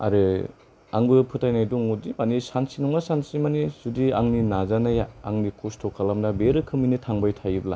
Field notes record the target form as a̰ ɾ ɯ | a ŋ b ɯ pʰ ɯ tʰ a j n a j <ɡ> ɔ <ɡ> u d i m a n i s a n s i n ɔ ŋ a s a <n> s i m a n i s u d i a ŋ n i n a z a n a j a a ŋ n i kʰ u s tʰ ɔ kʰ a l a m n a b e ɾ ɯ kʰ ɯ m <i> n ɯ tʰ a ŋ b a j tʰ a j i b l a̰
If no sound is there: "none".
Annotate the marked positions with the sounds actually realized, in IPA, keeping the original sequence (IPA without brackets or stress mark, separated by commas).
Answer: d, ŋ, n, i